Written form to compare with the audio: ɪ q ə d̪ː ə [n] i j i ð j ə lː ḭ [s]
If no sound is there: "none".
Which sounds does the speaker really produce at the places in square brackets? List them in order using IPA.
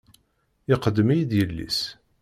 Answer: m, s

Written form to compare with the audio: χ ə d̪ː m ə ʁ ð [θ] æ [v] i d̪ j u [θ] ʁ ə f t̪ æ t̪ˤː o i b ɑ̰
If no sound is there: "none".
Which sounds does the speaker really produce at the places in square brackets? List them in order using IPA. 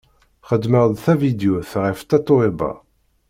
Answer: θ, v, θ

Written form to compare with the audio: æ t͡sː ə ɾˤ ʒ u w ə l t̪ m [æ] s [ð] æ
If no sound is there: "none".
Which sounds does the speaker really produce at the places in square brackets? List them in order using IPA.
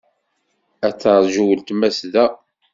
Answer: æ, ð

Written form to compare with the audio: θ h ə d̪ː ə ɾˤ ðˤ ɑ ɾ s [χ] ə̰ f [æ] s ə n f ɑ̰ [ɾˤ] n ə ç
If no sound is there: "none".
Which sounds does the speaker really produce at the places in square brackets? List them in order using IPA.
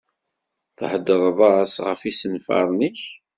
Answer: ʁ, i, ɾˤ

